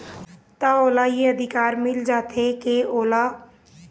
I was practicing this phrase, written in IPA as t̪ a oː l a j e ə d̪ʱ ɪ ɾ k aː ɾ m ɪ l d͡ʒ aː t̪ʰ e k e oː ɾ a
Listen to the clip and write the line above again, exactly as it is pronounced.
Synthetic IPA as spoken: t̪ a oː l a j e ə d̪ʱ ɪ k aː ɾ m ɪ l d͡ʒ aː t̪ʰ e k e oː l a